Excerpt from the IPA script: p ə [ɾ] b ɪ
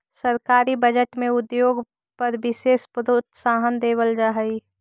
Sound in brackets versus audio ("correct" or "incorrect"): correct